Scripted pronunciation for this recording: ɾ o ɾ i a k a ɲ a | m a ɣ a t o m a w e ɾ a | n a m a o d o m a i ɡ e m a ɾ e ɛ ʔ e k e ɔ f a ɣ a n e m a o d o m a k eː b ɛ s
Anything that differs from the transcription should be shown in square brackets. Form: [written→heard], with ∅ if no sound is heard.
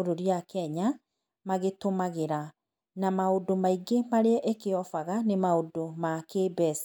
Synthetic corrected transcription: ɾ o ɾ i a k [a→ɛ] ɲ a | m a ɣ [a→e] t o m a [w→ɣ] e ɾ a | n a m a o d o m a i ɡ e m a ɾ e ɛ ʔ e k e ɔ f a ɣ a n e m a o d o m a k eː b ɛ s